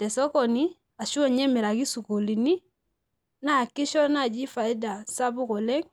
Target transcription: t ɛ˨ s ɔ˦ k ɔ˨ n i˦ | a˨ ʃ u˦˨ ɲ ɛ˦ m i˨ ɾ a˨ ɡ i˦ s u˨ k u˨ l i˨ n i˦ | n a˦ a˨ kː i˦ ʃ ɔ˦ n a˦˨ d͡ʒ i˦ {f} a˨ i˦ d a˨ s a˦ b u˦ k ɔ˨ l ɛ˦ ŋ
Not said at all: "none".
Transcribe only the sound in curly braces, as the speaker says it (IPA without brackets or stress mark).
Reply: f